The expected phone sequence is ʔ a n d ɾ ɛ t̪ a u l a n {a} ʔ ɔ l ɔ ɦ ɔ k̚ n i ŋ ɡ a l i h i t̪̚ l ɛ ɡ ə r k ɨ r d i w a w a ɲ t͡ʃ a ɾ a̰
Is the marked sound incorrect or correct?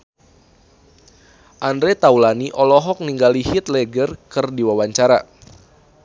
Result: incorrect: i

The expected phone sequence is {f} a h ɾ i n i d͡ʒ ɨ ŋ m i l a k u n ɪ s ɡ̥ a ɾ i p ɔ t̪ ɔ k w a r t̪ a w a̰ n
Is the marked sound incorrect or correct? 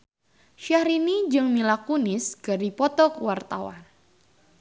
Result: incorrect: ʃ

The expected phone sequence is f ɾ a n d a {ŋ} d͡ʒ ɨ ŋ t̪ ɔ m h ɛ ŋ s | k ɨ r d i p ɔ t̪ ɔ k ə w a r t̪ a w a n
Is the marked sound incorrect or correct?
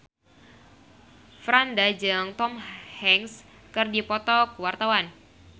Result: incorrect: none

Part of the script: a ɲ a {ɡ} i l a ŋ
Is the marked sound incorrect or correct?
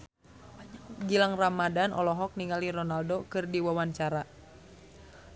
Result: correct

